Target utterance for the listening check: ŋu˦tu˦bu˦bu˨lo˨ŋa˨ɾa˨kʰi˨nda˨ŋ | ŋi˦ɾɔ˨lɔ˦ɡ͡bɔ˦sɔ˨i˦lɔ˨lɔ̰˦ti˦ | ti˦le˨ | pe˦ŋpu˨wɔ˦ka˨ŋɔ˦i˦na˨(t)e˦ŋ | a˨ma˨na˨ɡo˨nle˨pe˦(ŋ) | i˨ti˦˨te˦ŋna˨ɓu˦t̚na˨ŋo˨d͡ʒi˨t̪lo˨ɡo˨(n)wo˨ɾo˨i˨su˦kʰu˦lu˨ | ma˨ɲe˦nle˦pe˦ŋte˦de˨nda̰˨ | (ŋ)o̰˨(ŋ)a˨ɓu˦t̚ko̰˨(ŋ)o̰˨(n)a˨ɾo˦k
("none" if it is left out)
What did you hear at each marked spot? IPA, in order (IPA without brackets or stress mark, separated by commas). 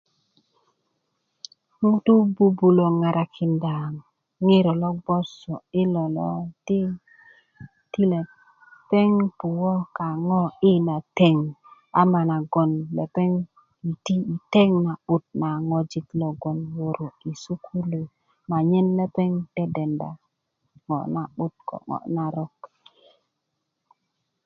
t, ŋ, n, ŋ, n, ŋ, n